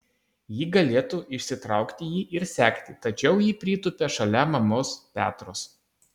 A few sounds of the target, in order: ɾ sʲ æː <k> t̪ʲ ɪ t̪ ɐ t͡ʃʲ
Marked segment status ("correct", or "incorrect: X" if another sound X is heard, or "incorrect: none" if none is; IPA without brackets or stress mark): correct